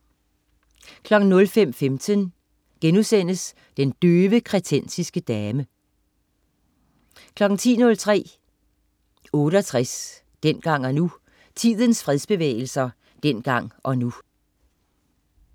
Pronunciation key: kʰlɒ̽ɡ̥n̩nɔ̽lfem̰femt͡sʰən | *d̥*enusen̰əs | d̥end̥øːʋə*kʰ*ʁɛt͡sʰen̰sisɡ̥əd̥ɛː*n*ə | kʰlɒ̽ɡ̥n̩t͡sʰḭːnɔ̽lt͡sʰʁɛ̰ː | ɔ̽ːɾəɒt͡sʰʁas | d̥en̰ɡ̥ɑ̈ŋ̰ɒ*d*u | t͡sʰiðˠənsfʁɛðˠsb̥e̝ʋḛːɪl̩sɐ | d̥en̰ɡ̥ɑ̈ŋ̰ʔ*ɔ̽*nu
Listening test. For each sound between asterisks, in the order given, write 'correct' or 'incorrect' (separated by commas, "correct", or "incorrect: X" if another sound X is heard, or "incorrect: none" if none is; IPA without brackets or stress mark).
incorrect: ɡ̥, correct, incorrect: m, incorrect: n, incorrect: ɒ̽